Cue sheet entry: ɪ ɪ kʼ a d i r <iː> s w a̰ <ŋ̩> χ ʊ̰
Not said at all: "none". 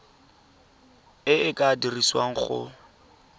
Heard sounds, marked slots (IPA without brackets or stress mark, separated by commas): i, ŋ̩